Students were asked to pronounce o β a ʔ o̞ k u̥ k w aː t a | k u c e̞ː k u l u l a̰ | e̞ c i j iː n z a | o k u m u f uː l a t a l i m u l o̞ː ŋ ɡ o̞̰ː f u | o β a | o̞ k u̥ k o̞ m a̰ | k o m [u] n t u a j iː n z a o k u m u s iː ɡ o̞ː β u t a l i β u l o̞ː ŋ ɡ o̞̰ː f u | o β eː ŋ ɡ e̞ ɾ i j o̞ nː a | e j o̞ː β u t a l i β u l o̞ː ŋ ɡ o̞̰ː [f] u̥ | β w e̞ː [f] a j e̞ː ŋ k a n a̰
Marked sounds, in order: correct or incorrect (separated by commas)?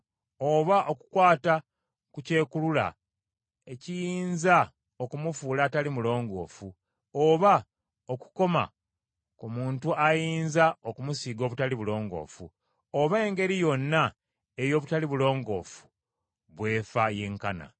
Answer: incorrect, correct, correct